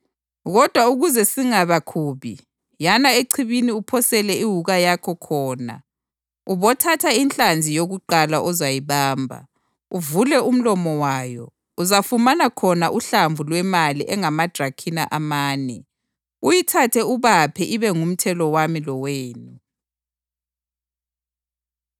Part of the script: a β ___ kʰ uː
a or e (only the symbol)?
a